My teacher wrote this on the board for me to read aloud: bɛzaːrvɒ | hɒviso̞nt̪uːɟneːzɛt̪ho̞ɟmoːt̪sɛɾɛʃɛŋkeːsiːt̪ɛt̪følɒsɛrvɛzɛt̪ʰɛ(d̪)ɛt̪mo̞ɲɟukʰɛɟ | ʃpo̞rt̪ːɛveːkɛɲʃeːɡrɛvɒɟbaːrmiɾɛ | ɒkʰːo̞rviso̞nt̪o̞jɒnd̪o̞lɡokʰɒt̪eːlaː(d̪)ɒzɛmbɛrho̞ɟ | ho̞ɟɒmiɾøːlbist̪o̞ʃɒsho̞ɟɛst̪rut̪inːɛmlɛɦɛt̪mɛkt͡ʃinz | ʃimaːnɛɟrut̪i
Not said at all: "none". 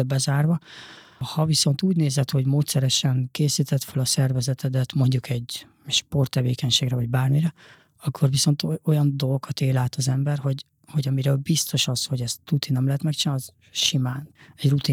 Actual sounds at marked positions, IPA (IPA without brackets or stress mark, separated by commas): d̪, t̪